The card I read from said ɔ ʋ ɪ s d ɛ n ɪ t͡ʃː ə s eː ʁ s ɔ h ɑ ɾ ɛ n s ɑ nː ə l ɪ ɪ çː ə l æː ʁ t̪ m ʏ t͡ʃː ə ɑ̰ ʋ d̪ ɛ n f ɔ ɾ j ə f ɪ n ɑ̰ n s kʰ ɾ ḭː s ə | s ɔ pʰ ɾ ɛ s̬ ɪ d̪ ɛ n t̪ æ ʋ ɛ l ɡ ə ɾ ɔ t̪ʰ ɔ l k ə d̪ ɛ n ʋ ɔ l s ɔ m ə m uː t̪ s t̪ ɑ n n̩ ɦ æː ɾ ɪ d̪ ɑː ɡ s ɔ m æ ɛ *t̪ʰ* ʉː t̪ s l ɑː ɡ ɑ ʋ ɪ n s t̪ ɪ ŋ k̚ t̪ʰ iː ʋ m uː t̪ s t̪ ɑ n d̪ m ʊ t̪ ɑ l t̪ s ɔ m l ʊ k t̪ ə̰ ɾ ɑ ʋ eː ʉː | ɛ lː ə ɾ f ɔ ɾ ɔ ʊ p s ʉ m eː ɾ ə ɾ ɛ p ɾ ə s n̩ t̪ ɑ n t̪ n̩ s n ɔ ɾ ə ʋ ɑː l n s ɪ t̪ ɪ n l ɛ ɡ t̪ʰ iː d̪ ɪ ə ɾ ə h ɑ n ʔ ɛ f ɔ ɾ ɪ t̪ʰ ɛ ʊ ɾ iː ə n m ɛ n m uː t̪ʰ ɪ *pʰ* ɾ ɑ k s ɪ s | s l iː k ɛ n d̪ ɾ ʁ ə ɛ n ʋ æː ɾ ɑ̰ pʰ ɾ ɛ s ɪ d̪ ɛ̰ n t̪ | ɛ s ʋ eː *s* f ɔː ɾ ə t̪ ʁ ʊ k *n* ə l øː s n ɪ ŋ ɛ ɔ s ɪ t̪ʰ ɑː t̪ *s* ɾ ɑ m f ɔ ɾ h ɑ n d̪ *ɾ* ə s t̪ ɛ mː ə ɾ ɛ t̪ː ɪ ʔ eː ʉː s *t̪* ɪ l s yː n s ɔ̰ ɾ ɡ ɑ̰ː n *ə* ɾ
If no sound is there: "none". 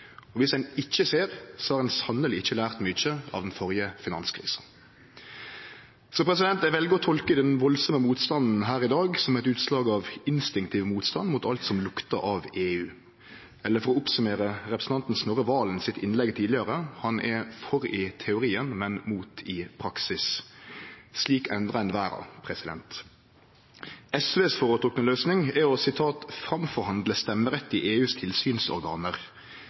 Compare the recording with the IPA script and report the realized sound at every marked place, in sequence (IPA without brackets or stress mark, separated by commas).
t̪, pʰ, s, n, f, l, t̪ʰ, ə